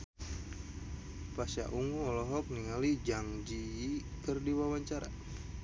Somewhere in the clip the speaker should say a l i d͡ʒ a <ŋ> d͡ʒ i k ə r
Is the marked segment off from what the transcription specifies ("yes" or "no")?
no